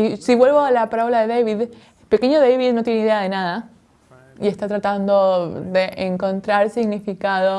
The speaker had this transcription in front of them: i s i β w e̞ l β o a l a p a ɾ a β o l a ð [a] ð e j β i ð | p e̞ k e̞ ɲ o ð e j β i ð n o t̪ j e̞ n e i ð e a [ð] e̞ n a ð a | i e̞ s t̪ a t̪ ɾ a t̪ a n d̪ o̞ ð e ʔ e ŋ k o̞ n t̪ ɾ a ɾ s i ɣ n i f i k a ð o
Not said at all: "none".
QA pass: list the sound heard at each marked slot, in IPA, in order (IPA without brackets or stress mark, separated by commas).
e, ð